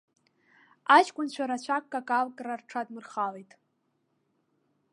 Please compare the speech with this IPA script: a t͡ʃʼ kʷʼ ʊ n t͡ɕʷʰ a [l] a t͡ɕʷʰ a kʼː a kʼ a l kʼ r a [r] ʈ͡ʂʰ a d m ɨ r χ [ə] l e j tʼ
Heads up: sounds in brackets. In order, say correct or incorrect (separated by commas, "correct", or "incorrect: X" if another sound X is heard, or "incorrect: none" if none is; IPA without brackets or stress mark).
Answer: incorrect: ɾ, correct, incorrect: a